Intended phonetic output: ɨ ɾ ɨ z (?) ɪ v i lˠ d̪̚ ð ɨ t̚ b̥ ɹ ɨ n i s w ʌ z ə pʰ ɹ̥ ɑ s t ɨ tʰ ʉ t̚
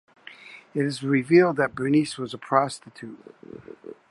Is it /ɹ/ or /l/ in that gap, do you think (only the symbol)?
ɹ